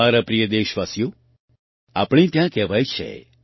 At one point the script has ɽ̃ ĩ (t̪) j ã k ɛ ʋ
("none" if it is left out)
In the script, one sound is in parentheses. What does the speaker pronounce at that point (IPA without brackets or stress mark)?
t̪